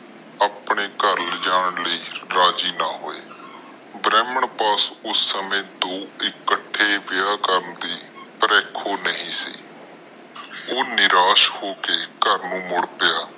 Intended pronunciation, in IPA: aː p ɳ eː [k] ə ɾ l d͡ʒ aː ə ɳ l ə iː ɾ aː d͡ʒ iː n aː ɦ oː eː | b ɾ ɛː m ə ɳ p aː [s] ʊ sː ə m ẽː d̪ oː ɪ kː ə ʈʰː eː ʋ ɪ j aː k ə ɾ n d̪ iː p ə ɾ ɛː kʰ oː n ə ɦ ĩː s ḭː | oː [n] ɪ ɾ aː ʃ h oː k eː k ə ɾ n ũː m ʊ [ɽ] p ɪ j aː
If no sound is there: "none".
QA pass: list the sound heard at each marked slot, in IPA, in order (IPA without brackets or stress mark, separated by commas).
k, s, n, ɽ